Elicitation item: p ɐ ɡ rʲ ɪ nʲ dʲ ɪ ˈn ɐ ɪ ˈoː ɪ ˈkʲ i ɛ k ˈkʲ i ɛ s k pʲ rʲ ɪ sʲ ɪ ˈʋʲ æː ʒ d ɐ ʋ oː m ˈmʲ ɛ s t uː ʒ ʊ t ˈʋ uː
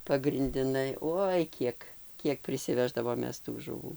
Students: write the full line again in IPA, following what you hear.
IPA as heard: p ɐ ɡ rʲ ɪ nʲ dʲ ɪ ˈn ɐ ɪ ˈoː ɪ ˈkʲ i ɛ k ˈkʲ i ɛ k pʲ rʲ ɪ sʲ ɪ ˈʋʲ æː ʒ d ɐ ʋ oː m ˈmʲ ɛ s t uː ʒ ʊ ˈʋ uː

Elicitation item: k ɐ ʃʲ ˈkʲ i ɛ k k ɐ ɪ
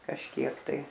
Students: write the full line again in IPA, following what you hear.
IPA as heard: k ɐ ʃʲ ˈkʲ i ɛ k t ɐ ɪ

